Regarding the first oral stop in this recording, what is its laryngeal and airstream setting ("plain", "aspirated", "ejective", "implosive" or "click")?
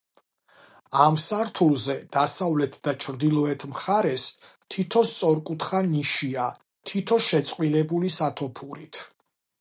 aspirated